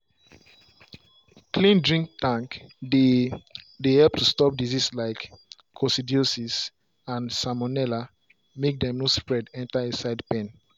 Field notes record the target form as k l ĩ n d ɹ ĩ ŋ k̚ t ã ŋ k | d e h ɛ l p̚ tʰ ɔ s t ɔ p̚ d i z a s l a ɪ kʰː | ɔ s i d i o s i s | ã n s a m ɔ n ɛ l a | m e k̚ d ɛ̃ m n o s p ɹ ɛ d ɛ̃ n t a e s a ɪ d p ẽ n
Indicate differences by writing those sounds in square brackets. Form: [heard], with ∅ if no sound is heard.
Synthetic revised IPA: k l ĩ n d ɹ ĩ ŋ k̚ t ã ŋ k | d e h ɛ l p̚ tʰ [u] s t ɔ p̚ d i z [i] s l a ɪ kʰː | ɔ s i d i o s i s | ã n s a m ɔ n ɛ l a | m e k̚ d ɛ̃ m n o s p ɹ ɛ d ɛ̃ n t a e s a ɪ d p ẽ n

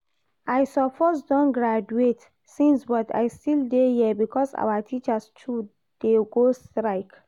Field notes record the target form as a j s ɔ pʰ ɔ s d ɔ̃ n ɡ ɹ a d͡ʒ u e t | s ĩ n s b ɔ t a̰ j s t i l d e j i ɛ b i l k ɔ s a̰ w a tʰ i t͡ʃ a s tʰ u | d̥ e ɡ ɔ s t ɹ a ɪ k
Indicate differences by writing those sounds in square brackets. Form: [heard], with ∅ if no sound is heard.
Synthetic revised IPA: a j s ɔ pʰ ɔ s d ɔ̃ n ɡ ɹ a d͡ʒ u e t | s ĩ n s b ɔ t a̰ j s t i l d e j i ɛ b i [∅] k ɔ s a̰ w a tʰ i t͡ʃ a s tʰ u | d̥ e ɡ [o] s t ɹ a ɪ k

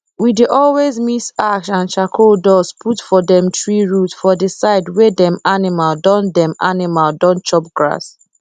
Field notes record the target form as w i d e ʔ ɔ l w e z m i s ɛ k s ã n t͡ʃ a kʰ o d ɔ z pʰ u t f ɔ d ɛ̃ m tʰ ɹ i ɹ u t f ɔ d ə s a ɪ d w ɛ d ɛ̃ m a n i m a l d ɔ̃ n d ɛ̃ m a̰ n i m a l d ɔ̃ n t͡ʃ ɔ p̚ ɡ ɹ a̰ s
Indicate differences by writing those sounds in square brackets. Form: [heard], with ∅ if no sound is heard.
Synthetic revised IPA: w i d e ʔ ɔ l w e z m i s [a] k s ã n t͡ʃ a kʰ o d ɔ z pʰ u t f ɔ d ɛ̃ m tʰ ɹ i ɹ u t f ɔ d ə s a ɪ d w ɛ d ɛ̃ m a n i m a l d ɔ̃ n d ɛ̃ m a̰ n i m a l d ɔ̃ n t͡ʃ ɔ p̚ ɡ ɹ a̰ s

